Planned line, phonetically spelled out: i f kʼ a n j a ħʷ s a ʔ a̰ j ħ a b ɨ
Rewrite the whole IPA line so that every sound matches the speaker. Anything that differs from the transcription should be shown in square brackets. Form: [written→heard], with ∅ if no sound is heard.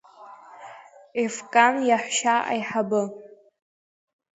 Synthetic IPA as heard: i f kʼ a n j a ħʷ [s→ʃ] a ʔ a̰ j ħ a b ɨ